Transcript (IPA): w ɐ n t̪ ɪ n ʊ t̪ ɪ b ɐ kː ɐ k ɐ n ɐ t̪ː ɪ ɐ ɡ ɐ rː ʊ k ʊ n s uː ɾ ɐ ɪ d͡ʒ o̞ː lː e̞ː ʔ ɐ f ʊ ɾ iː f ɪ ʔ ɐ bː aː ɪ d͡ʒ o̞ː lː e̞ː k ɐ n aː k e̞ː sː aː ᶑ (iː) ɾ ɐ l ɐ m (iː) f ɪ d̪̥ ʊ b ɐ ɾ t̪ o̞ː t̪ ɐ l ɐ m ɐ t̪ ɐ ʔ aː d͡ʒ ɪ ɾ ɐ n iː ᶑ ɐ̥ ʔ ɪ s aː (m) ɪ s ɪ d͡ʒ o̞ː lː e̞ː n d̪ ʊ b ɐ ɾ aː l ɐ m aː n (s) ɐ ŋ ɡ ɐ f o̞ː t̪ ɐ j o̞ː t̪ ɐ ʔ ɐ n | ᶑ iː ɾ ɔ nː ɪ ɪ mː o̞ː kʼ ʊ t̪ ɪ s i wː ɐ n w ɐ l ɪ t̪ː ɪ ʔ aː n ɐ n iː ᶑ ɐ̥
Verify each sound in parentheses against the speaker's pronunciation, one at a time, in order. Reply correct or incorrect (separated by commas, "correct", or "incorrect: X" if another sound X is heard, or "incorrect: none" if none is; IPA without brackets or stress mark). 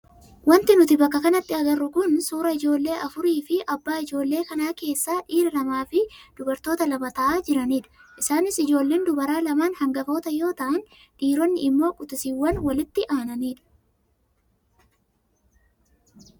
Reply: correct, incorrect: aː, incorrect: n, incorrect: h